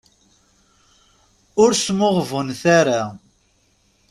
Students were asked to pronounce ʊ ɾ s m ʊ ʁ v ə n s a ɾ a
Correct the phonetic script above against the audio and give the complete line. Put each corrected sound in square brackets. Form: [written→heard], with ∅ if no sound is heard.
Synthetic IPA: ʊ ɾ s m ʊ ʁ v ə n [s→θ] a ɾ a